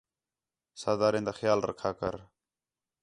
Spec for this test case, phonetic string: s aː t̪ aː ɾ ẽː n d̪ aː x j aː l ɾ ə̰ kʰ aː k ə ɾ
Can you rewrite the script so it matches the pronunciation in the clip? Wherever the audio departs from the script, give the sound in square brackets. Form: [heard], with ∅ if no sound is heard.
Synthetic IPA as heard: s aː [d̪] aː ɾ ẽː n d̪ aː x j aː l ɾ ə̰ kʰ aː k ə ɾ